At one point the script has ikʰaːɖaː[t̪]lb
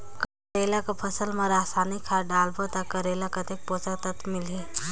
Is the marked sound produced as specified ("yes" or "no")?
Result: no